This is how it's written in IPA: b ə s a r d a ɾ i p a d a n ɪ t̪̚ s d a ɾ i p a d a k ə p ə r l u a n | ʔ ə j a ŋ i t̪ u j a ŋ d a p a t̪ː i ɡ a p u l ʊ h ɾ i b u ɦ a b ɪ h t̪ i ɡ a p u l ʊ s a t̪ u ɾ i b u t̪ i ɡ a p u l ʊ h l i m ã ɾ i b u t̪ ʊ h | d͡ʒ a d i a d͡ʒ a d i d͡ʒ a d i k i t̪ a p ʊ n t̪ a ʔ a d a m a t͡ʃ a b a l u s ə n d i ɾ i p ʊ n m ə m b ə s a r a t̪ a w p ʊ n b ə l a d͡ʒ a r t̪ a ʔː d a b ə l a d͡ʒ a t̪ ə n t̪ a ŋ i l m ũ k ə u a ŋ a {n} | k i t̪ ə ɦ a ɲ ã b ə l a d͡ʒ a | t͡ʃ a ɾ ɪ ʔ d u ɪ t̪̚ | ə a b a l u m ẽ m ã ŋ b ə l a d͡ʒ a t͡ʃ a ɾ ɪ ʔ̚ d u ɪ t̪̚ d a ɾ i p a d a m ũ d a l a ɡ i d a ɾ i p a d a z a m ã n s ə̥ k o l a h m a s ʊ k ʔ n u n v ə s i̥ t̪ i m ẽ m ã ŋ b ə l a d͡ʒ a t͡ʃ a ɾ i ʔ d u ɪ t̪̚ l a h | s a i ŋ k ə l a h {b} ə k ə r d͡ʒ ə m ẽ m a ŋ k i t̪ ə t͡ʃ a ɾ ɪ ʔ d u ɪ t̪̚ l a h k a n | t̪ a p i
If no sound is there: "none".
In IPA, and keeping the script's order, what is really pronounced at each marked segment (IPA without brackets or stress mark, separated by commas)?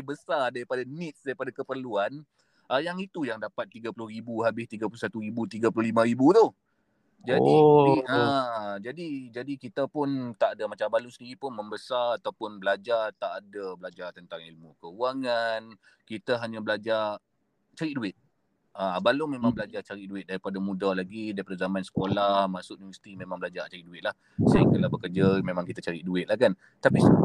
n, b